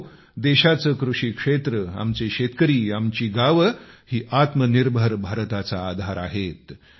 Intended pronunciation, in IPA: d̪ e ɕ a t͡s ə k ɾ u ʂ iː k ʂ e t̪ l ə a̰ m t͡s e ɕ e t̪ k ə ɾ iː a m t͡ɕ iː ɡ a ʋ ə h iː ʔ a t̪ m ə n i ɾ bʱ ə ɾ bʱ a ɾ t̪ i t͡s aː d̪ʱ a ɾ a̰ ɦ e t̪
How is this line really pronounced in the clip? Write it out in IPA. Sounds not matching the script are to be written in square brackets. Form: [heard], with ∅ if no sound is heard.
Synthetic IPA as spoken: d̪ e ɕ a t͡s ə k ɾ u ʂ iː k ʂ e t̪ [ɾ] ə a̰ m t͡s e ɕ e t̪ k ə ɾ iː a m t͡ɕ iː ɡ a ʋ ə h iː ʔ a t̪ m ə n i ɾ bʱ ə ɾ bʱ a ɾ t̪ [a] t͡s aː d̪ʱ a ɾ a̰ ɦ e t̪